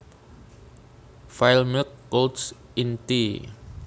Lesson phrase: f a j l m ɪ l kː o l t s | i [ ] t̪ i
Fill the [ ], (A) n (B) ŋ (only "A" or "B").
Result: A